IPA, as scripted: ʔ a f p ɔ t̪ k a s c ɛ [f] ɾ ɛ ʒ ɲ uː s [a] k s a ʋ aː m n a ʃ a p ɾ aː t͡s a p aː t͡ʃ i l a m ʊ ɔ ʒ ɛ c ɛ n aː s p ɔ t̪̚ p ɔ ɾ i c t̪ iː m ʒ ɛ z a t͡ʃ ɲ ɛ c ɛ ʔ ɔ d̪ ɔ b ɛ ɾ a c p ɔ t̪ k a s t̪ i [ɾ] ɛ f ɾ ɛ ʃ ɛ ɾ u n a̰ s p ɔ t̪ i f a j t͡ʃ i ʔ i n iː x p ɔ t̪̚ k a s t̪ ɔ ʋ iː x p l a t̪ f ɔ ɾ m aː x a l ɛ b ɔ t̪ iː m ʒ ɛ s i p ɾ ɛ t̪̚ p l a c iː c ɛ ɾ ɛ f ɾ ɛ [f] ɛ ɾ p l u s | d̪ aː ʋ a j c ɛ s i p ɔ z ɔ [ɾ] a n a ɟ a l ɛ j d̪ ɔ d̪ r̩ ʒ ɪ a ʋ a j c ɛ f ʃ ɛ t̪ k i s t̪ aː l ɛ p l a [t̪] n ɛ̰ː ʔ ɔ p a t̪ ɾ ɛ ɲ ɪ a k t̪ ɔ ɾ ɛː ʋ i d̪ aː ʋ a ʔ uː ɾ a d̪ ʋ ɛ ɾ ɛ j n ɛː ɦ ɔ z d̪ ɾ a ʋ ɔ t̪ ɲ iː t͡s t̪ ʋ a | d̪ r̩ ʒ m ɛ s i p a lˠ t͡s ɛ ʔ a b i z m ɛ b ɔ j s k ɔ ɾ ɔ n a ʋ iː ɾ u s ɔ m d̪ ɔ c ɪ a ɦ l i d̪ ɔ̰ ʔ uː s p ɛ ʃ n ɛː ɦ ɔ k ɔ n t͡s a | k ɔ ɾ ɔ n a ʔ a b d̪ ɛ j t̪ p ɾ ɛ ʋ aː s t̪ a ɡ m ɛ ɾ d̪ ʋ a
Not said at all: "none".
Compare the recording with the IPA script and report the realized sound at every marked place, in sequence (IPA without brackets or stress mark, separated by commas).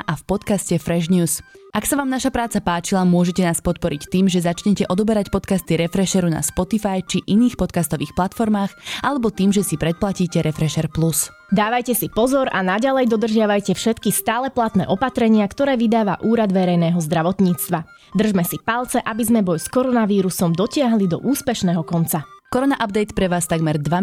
f, a, ɾ, ʃ, ɾ, t̪